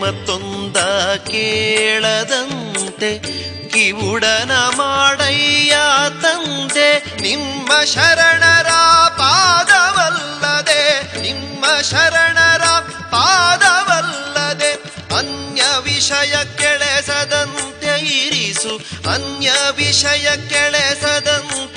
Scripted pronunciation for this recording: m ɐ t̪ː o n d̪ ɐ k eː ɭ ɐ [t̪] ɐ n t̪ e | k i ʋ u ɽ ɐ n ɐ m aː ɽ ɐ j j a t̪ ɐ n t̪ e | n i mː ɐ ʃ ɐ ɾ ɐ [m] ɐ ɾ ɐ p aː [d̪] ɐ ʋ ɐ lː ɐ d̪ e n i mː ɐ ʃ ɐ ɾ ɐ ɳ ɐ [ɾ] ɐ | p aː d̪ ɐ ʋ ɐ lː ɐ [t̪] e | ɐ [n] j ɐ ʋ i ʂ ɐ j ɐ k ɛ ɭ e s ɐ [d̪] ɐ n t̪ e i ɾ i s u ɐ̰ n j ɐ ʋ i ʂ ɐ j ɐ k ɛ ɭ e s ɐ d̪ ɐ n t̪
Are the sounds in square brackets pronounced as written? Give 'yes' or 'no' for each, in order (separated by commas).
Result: no, no, yes, yes, no, yes, yes